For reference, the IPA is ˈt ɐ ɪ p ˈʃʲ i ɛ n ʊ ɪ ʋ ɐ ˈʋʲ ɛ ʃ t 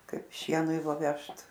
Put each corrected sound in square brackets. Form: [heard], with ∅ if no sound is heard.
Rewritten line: [ˈk] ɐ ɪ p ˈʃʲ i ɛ n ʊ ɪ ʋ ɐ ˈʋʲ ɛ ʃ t